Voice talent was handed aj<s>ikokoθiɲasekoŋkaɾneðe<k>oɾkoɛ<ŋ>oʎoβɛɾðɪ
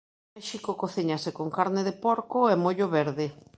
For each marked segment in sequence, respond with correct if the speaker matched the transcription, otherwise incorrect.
incorrect, incorrect, incorrect

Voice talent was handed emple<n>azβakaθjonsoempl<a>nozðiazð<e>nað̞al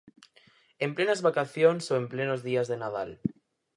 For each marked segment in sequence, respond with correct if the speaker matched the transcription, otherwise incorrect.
correct, incorrect, correct

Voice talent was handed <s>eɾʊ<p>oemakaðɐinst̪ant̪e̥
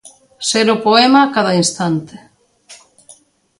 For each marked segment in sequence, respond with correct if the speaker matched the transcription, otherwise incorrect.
correct, correct

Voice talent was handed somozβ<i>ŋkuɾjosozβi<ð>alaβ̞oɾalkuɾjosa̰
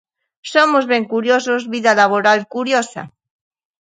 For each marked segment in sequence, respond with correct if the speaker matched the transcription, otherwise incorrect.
incorrect, correct

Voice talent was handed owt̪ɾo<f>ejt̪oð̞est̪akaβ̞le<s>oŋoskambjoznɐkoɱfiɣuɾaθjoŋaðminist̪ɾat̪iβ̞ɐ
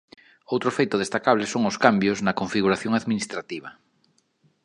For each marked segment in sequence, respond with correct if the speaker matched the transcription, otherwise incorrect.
correct, correct

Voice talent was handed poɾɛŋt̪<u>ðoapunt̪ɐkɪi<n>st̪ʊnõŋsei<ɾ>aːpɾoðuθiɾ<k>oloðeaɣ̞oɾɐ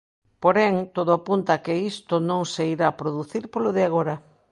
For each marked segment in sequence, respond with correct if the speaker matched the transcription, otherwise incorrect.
incorrect, incorrect, correct, incorrect

